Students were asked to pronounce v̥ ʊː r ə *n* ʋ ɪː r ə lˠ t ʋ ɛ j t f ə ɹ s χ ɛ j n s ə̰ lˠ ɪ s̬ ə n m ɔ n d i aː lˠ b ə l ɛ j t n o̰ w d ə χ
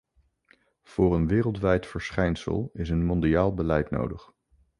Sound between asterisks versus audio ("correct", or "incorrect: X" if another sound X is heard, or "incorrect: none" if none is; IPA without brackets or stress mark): correct